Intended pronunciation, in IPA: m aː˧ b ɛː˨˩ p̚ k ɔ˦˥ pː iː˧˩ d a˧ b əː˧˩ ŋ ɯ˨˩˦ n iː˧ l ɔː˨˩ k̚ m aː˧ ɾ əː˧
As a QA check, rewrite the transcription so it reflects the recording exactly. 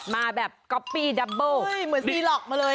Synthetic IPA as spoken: m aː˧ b ɛː˨˩ p̚ k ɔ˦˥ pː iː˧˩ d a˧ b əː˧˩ m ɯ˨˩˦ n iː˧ l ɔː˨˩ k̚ m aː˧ l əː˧

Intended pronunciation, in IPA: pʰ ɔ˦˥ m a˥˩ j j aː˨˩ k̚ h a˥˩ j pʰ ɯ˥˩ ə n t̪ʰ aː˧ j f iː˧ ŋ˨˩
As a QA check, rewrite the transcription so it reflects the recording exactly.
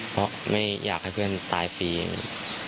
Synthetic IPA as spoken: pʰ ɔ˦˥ m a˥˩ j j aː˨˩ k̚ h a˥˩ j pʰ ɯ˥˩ ə n t̪ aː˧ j f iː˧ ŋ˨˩

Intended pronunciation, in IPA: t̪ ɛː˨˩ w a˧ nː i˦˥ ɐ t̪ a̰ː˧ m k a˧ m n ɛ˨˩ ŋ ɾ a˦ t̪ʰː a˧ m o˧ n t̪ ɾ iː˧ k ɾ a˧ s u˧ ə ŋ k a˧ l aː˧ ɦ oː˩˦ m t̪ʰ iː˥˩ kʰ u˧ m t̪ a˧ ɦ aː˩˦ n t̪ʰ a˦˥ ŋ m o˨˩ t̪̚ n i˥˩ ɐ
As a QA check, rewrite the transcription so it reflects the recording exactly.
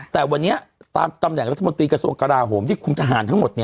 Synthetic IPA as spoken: t̪ ɛː˨˩ w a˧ nː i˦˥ ɐ t̪ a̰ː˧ m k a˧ m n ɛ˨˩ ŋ ɾ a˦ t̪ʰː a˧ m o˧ n t̪ ɾ iː˧ k ɾ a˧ s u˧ ə ŋ k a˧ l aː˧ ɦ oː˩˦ m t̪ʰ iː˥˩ kʰ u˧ m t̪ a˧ ɦ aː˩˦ n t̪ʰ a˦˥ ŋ m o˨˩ t̪̚ n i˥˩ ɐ

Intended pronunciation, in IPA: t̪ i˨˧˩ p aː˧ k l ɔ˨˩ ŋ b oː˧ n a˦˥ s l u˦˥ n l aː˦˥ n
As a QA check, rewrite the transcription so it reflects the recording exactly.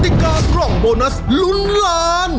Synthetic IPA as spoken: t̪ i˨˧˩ k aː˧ k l ɔ˨˩ ŋ b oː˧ n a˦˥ s l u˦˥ n l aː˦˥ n

